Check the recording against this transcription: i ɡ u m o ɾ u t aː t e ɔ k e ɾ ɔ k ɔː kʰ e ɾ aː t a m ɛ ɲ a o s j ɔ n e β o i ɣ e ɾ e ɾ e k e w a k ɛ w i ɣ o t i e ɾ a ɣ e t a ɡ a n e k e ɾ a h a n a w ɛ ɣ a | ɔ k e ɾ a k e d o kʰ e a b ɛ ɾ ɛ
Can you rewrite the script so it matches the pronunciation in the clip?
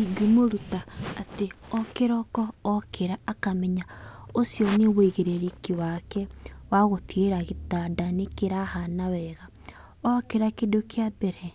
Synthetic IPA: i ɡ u m o ɾ u t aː t e ɔ k e ɾ ɔ k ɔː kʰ e ɾ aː k a m ɛ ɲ a o s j ɔ n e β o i ɣ e ɾ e ɾ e k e w a k ɛ w a ɣ o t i e ɾ a ɣ e t a d a n e k e ɾ a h a n a w ɛ ɣ a | ɔ k e ɾ a k e d o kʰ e a b ɛ ɾ ɛ